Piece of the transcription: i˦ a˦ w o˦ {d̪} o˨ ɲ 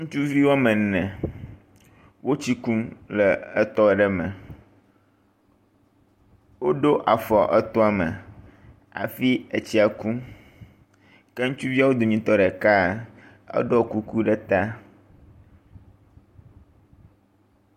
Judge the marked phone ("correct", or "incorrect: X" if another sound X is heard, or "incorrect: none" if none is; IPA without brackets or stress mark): correct